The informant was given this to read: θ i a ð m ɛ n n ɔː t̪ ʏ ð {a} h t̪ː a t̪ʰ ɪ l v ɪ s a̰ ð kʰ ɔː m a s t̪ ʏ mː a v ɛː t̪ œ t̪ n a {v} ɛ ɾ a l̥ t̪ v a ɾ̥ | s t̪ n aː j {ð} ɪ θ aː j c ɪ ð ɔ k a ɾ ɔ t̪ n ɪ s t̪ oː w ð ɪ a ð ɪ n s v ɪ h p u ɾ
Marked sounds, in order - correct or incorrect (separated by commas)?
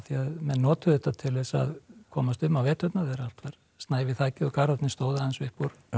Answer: incorrect, incorrect, incorrect